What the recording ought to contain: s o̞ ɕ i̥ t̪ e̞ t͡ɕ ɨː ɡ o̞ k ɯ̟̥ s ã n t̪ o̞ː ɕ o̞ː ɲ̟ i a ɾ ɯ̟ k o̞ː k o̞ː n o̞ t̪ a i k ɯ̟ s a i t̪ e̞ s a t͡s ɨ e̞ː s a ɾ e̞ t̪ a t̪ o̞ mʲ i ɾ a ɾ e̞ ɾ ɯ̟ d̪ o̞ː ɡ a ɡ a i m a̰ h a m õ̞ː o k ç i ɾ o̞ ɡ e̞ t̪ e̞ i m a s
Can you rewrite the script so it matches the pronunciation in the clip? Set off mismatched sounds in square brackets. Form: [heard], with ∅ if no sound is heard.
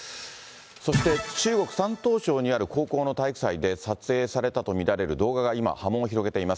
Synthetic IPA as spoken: s o̞ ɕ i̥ t̪ e̞ t͡ɕ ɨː ɡ o̞ k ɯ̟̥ s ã n t̪ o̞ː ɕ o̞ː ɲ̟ i a ɾ ɯ̟ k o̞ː k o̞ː n o̞ t̪ a i k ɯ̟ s a i [d̪] e̞ s a t͡s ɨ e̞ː s a ɾ e̞ t̪ a t̪ o̞ mʲ i ɾ a ɾ e̞ ɾ ɯ̟ d̪ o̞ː ɡ a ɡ a i m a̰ h a m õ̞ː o [∅] ç i ɾ o̞ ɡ e̞ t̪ e̞ i m a s